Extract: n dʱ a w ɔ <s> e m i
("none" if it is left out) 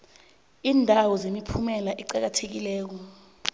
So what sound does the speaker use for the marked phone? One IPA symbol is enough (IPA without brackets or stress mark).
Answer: z